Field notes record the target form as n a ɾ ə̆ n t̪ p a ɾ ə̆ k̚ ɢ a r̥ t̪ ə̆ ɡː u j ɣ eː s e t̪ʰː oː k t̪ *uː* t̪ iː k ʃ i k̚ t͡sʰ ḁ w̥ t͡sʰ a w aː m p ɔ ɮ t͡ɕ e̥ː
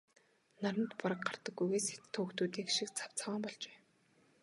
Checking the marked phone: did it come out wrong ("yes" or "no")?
no